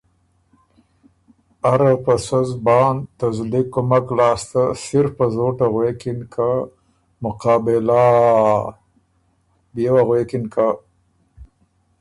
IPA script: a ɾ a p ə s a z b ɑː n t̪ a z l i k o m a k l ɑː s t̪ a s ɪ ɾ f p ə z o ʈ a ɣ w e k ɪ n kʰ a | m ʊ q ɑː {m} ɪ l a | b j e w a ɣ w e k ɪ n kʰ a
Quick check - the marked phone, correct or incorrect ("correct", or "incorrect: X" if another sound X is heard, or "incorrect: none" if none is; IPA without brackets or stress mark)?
incorrect: b